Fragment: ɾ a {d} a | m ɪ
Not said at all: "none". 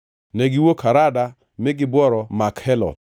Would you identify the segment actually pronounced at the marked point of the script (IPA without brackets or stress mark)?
d